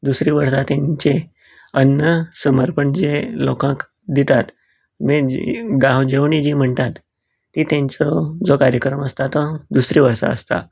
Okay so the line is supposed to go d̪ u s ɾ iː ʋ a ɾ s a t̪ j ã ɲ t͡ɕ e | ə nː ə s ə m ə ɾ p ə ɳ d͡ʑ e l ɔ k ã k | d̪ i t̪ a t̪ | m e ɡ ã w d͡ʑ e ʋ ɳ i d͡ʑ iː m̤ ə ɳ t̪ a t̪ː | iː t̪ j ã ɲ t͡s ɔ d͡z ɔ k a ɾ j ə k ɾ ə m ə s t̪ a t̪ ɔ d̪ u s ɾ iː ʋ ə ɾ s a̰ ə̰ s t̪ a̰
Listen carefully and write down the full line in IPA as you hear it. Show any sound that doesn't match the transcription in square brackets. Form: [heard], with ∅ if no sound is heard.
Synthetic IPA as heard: d̪ u s ɾ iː ʋ [ə] ɾ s a t̪ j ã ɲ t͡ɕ e | ə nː ə s ə m ə ɾ p ə ɳ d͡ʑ e l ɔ k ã k | d̪ i t̪ a t̪ | m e ɡ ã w d͡ʑ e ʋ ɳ i d͡ʑ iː m̤ ə ɳ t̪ a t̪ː | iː t̪ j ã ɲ t͡s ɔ d͡z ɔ k a ɾ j ə k ɾ ə m ə s t̪ a t̪ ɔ d̪ u s ɾ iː ʋ ə ɾ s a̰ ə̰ s t̪ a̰